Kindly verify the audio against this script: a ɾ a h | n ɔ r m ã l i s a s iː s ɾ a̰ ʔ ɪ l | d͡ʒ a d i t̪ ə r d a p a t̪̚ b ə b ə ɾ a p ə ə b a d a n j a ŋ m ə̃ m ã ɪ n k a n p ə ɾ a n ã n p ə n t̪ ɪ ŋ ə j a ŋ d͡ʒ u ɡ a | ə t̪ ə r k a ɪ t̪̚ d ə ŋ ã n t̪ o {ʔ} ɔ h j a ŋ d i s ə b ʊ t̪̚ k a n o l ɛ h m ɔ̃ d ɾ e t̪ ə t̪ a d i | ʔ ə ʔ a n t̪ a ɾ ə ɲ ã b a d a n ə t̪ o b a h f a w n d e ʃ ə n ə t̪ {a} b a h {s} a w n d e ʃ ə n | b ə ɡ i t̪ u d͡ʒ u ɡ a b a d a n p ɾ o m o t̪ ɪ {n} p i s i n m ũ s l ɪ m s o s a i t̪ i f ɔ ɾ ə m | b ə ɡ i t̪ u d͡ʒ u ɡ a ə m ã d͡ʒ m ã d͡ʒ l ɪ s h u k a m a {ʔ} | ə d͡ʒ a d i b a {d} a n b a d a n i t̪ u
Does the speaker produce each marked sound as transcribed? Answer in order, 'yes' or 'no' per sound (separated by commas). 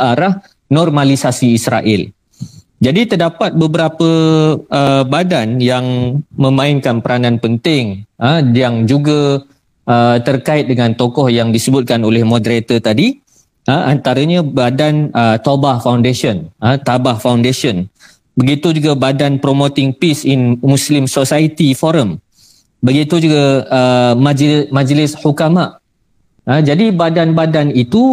no, yes, no, no, yes, yes